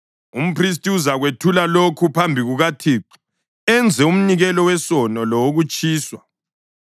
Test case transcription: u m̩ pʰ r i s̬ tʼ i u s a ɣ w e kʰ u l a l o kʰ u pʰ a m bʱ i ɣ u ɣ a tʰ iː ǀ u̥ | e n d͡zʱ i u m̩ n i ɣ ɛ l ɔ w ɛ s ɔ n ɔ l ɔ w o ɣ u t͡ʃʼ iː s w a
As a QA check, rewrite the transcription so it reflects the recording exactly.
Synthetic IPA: u m̩ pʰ r i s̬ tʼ i u z a ɣ w e tʰ u l a l o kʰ u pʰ a m bʱ i ɣ u ɣ a tʰ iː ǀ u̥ | ɛ n d͡zʱ ɛ u m̩ n i ɣ ɛ l ɔ w ɛ s ɔ n ɔ l ɔ w o ɣ u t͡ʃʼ iː s w a